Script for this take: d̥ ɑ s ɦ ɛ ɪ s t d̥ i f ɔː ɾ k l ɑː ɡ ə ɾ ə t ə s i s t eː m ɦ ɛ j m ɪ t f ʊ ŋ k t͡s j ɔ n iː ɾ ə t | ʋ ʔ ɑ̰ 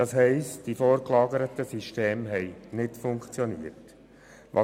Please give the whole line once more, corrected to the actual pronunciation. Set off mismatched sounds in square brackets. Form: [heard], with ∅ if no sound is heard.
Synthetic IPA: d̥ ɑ s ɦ ɛ ɪ s t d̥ i f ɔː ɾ k l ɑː ɡ ə ɾ ə t ə s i [ʃ] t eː m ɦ ɛ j [n] ɪ t f ʊ ŋ k t͡s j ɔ n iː [∅] ə t | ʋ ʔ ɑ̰